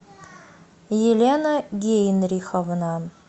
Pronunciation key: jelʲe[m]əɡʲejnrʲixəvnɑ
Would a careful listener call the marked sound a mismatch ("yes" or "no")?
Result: yes